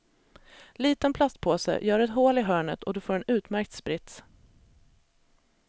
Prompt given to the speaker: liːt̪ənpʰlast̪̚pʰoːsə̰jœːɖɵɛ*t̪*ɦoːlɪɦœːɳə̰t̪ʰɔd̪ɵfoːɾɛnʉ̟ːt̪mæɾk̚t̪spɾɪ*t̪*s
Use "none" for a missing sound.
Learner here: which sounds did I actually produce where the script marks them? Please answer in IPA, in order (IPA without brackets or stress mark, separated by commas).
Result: t̪, t̪